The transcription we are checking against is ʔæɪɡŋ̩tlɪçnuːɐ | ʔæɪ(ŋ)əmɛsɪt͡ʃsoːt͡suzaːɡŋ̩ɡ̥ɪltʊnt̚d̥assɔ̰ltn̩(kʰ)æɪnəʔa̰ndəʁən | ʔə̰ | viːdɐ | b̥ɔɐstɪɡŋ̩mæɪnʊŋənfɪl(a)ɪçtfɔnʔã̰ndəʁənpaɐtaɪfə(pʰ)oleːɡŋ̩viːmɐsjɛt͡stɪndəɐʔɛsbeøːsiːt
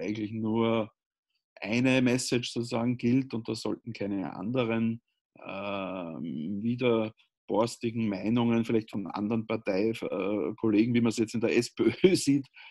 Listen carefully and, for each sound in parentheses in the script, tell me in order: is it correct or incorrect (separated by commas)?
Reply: incorrect, correct, incorrect, incorrect